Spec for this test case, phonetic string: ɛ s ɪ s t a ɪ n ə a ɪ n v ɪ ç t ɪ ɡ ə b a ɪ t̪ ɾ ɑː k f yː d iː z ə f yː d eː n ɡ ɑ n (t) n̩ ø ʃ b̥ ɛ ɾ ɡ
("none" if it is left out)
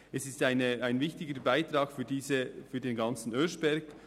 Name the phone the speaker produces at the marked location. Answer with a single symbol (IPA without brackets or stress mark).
t͡s